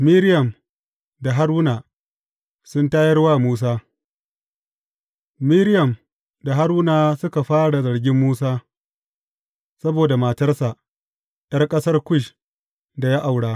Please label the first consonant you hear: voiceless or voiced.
voiced